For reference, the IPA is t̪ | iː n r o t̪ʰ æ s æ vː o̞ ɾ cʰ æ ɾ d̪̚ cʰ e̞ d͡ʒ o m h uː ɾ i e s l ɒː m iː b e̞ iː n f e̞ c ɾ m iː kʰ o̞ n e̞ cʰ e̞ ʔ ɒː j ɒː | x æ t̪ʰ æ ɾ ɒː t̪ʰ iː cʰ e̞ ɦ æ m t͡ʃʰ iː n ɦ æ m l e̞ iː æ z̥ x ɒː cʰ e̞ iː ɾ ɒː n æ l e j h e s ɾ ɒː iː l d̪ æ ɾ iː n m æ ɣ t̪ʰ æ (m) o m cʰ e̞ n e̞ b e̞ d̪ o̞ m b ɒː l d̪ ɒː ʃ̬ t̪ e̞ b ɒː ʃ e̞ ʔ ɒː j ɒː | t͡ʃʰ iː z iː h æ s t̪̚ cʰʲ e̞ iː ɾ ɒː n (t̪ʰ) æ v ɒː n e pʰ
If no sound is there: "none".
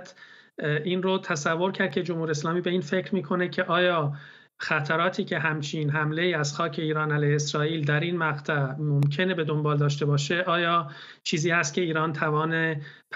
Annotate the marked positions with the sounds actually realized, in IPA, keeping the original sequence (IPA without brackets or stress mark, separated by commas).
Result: m, t̪ʰ